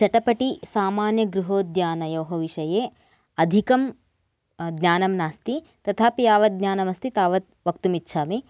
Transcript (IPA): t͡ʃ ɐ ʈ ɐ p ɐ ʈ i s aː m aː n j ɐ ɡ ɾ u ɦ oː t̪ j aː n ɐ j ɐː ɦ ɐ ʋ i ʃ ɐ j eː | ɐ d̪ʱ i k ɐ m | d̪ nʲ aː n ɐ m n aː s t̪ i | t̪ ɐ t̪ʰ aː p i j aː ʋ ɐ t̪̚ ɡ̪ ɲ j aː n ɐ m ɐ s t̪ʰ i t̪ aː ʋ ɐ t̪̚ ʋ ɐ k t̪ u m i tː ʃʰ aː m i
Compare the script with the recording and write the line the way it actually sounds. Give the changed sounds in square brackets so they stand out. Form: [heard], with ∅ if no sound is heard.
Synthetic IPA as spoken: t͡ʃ ɐ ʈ ɐ p ɐ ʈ i s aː m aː n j ɐ ɡ ɾ u ɦ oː [d̪] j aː n ɐ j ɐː ɦ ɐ ʋ i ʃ ɐ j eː | ɐ d̪ʱ i k ɐ m | d̪ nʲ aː n ɐ m n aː s t̪ i | t̪ ɐ t̪ʰ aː p i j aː ʋ ɐ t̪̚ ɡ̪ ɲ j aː n ɐ m ɐ s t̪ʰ i t̪ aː ʋ ɐ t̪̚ ʋ ɐ k t̪ u m i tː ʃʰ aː m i